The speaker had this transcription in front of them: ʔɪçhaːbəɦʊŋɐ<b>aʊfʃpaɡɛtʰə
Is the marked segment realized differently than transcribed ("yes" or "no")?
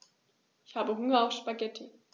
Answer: yes